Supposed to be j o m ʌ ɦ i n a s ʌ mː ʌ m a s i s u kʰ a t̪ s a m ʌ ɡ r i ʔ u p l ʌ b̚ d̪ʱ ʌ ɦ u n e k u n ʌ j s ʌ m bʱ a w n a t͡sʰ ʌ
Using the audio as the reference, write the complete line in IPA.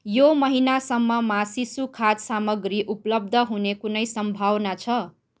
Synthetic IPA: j o m ʌ ɦ i n a s ʌ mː ʌ m a s i s u kʰ a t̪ s a m ʌ ɡ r i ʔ u p l ʌ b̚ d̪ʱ ʌ ɦ u n e k u n ʌ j s ʌ m bʱ a w n a t͡sʰ ʌ